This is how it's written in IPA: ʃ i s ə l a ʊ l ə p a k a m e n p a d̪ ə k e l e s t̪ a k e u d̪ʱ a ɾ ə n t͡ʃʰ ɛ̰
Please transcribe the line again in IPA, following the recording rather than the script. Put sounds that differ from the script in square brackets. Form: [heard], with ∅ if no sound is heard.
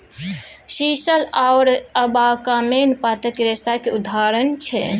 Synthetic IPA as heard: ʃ i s ə l a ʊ [ɾ] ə [b] a k a m e n p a [t̪] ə k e [ɾ] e s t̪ a k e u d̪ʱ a ɾ ə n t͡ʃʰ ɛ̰